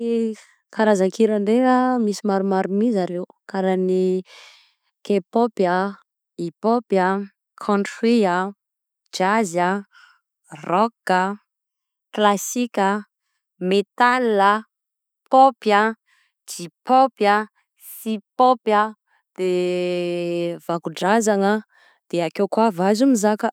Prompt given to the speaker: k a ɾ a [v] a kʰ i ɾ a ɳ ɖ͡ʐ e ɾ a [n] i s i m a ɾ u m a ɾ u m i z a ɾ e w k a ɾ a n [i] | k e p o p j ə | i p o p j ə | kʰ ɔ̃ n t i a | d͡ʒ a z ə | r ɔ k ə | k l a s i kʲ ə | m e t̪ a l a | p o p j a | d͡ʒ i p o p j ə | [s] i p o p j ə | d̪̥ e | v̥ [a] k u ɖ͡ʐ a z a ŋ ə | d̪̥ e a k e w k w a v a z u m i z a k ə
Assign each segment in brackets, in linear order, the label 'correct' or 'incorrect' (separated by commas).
incorrect, incorrect, correct, correct, correct